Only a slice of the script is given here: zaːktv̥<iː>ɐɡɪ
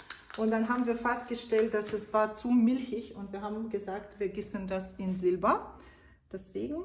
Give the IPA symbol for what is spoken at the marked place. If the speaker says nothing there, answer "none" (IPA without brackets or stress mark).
iː